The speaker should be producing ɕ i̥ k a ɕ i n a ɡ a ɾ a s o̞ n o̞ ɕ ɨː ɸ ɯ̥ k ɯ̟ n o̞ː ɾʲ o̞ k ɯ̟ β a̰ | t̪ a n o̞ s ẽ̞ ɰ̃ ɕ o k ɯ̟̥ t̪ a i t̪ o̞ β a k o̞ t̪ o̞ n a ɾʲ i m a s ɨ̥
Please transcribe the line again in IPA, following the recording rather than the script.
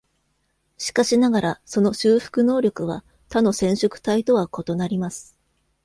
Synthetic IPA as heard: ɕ i̥ k a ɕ i n a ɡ a ɾ a s o̞ n o̞ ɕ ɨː ɸ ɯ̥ k ɯ̟ n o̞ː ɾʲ o̞ k ɯ̟ β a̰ | t̪ a n o̞ s ẽ̞ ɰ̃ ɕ o k ɯ̟̥ t̪ a i t̪ o̞ β a k o̞ t̪ o̞ n a ɾʲ i m a s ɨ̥